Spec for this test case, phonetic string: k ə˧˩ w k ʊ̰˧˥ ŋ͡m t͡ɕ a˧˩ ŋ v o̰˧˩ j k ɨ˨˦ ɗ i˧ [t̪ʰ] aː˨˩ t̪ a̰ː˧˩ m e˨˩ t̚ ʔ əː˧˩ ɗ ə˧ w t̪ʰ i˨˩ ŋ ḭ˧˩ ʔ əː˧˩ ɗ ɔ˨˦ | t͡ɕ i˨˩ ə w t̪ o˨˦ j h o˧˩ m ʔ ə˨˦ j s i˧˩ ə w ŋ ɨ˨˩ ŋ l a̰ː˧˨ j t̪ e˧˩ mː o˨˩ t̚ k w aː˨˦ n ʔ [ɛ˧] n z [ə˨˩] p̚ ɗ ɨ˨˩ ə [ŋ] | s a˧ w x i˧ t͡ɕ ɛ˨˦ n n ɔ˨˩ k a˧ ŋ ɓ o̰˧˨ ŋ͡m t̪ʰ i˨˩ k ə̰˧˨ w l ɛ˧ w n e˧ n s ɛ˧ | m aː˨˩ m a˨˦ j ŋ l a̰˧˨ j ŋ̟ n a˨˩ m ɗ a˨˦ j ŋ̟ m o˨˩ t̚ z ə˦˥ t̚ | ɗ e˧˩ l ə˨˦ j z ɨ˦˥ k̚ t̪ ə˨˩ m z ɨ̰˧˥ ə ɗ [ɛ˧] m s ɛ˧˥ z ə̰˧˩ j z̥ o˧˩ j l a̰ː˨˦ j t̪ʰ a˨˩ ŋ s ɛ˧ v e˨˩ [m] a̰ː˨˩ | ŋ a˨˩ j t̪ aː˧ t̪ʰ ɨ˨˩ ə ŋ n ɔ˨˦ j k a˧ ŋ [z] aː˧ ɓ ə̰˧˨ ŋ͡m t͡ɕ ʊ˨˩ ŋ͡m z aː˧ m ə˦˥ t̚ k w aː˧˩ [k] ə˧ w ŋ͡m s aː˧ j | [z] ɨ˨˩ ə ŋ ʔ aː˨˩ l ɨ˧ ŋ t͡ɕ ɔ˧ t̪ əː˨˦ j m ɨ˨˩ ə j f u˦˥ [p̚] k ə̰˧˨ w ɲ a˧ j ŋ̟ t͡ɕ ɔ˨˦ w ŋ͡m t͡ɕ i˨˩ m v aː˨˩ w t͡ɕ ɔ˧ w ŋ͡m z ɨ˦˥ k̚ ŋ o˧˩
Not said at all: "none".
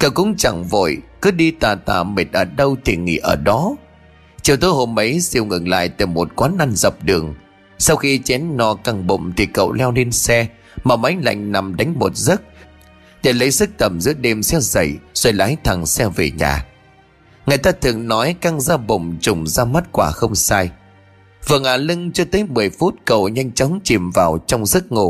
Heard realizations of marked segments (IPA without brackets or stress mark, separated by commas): t̪, a˧, ə˨˩, ŋ, e˧, ɲ, z, x, v, t̚